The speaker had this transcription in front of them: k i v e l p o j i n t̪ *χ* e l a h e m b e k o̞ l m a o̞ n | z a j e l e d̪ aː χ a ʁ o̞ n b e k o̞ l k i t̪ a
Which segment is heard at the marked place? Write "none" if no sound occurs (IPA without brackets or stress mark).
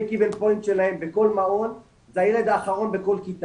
ʃ